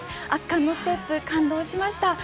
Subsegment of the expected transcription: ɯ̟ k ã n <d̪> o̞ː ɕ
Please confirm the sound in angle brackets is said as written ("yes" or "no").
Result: yes